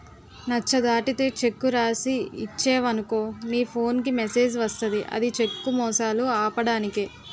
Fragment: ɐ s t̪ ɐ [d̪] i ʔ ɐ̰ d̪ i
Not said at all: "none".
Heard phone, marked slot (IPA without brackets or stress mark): d̪